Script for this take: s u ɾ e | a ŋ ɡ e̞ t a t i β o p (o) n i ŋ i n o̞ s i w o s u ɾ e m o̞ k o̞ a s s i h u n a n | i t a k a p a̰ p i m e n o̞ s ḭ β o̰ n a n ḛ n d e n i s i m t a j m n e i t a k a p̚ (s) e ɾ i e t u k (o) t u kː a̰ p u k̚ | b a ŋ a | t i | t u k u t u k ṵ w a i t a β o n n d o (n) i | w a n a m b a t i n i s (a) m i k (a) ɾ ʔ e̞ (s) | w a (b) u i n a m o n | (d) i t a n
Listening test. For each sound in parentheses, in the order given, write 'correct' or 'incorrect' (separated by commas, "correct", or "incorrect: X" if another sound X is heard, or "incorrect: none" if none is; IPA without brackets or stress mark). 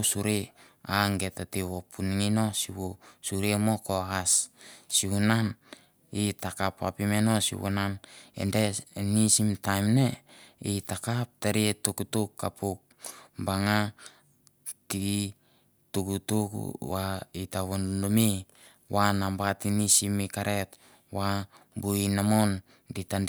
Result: incorrect: u, incorrect: t, incorrect: u, incorrect: m, incorrect: i, correct, incorrect: t, correct, correct